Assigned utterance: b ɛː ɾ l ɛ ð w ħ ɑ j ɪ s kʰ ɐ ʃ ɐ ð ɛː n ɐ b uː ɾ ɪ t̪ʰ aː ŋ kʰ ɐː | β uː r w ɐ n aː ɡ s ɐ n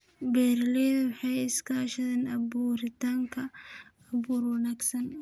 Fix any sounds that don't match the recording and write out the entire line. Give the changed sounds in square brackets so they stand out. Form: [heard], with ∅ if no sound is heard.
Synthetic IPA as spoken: b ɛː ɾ l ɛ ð w ħ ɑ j ɪ s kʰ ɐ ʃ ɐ ð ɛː n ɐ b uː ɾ ɪ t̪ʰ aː ŋ kʰ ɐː | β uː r w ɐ n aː ɡ s ɐ n